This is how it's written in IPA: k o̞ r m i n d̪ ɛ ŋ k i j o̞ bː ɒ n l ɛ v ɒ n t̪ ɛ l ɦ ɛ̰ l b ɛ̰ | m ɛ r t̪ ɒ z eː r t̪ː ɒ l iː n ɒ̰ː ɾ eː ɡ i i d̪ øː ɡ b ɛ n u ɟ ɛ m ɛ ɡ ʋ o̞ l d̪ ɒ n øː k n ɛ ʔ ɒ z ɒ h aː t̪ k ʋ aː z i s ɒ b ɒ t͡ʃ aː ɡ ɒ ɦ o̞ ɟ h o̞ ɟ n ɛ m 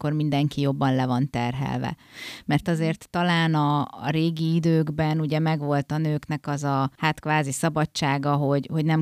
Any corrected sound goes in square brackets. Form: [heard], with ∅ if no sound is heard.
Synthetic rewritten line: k o̞ r m i n d̪ ɛ ŋ k i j o̞ bː ɒ n l ɛ v ɒ n t̪ ɛ [r] ɦ ɛ̰ l [v] ɛ̰ | m ɛ r t̪ ɒ z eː r t̪ː ɒ l [aː] n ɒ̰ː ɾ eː ɡ i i d̪ øː ɡ b ɛ n u ɟ ɛ m ɛ ɡ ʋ o̞ l [t̪] ɒ n øː k n ɛ [k] ɒ z ɒ h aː t̪ k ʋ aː z i s ɒ b ɒ t͡ʃ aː ɡ ɒ ɦ o̞ ɟ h o̞ ɟ n ɛ m